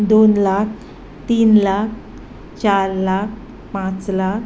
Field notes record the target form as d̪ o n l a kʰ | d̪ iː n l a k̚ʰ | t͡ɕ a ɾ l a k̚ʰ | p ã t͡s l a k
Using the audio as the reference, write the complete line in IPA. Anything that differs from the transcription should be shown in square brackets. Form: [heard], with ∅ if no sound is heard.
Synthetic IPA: d̪ o n l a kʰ | [t̪] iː n l a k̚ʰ | t͡ɕ a ɾ l a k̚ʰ | p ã t͡s l a k